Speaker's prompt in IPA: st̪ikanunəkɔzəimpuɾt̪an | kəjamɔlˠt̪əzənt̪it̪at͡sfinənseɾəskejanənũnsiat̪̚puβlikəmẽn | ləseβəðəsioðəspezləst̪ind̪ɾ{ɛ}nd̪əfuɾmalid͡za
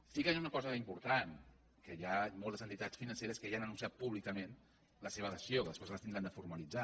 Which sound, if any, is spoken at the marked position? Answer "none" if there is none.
a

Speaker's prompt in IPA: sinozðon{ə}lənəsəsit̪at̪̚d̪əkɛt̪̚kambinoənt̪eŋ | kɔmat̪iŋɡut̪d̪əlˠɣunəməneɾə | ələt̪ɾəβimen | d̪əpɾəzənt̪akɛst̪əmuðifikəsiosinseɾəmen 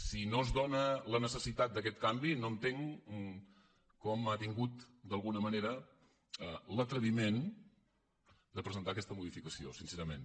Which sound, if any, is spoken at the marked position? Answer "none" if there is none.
ə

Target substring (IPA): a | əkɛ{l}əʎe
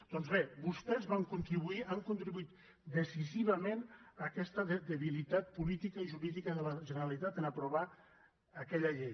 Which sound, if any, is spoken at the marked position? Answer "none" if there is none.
ʎ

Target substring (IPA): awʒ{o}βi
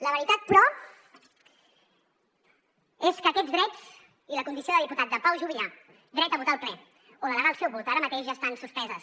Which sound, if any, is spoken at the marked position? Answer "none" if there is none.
u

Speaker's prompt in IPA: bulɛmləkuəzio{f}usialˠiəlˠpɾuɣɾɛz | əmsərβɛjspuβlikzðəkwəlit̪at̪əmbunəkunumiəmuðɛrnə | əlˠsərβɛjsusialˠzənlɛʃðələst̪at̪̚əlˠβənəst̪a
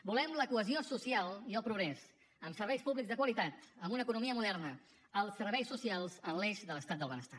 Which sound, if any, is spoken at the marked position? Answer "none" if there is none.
s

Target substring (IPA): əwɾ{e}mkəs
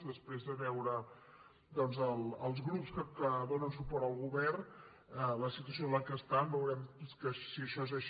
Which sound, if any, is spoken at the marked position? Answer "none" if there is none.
ɛ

